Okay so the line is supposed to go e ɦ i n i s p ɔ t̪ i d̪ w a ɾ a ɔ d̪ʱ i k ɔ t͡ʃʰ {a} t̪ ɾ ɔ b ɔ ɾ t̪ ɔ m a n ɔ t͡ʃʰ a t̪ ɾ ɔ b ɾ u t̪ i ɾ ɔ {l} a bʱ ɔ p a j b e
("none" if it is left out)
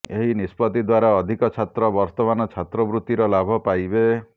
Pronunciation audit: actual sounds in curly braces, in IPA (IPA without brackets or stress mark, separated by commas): a, l